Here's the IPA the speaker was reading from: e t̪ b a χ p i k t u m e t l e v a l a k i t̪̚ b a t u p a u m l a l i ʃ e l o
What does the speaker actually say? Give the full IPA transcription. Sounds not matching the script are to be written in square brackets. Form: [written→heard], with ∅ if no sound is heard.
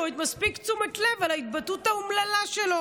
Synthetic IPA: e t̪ [b→m] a [χ→s] p i k [t→t͡s] u m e t l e v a l a [k→∅] i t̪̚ b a t u [p→t] a u m l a l [i→a] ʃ e l o